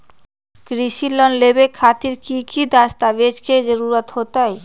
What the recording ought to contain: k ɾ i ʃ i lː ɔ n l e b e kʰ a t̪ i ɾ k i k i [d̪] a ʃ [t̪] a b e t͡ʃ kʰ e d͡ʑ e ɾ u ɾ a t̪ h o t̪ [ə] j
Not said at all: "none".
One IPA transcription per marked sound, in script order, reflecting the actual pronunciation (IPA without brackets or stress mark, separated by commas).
d̪, t̪, a